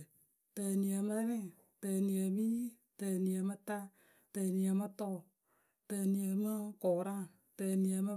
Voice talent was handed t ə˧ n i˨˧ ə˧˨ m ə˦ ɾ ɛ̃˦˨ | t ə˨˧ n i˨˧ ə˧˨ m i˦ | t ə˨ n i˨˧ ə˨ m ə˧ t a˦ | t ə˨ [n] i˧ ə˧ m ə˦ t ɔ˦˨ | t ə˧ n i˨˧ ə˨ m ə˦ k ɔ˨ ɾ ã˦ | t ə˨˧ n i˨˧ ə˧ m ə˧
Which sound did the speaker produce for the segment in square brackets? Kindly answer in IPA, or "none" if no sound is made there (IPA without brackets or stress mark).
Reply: n